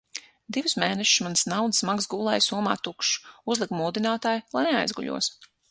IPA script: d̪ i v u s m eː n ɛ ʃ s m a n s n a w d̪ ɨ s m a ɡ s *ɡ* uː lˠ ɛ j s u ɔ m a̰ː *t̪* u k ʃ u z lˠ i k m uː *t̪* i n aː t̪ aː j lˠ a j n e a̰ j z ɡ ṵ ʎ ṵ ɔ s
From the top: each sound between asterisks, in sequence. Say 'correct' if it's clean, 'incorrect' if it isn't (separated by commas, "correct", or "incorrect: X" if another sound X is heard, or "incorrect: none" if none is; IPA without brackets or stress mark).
correct, correct, incorrect: d̪